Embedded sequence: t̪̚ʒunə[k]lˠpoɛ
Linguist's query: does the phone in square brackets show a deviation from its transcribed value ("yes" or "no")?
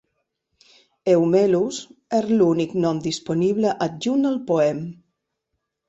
yes